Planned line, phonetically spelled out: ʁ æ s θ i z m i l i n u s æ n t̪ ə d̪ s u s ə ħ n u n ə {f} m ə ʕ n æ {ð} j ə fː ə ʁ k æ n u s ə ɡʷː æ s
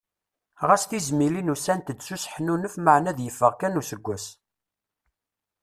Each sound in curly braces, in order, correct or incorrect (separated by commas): correct, correct